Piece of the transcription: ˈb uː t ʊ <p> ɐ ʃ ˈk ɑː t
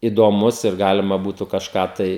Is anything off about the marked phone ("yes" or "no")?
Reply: yes